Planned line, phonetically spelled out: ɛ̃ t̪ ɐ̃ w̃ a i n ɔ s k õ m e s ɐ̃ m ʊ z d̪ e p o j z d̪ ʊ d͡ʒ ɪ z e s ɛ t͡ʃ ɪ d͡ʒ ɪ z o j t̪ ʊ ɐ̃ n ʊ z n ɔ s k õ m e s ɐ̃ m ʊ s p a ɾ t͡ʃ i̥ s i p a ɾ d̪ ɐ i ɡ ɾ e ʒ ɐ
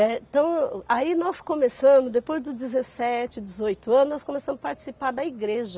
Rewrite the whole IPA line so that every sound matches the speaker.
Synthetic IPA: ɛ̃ t̪ ɐ̃ w̃ a i n ɔ s k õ m e s ɐ̃ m ʊ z d̪ e p o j z d̪ ʊ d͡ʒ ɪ z e s ɛ t͡ʃ ɪ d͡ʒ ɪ z o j t̪ ʊ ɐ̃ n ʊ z n ɔ s k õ m e s ɐ̃ m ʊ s p a ɾ t͡ʃ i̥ s i p a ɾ d̪ ɐ i ɡ ɾ e ʒ ɐ